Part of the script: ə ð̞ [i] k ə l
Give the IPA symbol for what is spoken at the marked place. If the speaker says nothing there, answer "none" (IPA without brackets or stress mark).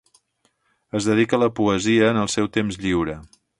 i